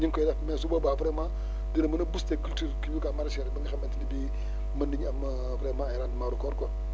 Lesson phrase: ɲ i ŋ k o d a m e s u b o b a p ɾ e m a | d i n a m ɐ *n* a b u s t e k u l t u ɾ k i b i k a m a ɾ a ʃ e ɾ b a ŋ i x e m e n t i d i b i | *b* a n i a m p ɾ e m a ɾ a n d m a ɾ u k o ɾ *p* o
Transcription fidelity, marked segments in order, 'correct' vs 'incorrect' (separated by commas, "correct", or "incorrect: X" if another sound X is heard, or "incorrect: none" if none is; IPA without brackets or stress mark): correct, incorrect: m, incorrect: k